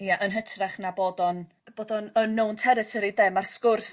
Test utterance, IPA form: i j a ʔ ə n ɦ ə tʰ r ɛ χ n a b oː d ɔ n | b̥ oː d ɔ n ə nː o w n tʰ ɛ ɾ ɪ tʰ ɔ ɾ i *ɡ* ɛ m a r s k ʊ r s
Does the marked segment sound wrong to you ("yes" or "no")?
yes